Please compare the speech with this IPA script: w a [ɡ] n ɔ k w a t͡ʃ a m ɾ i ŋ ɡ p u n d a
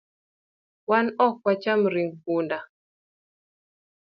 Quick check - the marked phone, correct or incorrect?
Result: incorrect